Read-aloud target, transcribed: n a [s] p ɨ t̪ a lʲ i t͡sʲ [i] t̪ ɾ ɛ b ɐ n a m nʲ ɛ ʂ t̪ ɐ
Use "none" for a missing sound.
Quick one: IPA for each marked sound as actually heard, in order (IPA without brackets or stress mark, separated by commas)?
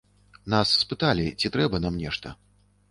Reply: sː, i